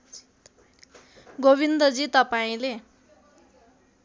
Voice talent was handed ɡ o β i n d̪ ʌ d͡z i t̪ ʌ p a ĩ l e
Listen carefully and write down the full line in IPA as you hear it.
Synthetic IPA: ɡ o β i n d̪ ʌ d͡z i t̪ ʌ p a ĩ l e